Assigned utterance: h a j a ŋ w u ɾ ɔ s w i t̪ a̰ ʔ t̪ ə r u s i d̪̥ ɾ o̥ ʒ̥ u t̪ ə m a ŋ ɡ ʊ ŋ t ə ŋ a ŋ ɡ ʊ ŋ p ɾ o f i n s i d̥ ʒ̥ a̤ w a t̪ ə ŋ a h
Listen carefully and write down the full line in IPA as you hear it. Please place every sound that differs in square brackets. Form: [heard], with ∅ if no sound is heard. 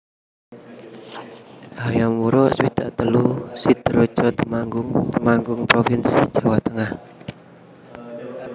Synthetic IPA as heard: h a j a [m] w u ɾ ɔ s w i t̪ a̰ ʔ t̪ ə [l] u s i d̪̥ ɾ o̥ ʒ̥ [ɔ] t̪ ə m a ŋ ɡ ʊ ŋ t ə [m] a ŋ ɡ ʊ ŋ p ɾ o f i n s i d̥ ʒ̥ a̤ w a t̪ ə ŋ a h